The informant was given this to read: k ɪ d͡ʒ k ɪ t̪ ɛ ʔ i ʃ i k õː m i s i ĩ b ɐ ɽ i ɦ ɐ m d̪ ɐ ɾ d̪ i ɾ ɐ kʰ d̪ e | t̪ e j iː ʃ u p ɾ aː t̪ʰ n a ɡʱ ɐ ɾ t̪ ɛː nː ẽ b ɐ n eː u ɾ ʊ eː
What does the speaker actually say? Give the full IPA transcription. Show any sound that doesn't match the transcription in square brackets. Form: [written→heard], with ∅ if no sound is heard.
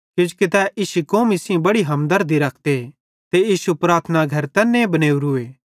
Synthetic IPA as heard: k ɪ d͡ʒ k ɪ t̪ ɛ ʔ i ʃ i k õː m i s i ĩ b ɐ ɽ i ɦ ɐ m d̪ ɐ ɾ d̪ i ɾ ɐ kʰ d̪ e | t̪ e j iː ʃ u p ɾ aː t̪ʰ n a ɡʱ ɐ ɾ t̪ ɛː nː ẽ b ɐ n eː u ɾ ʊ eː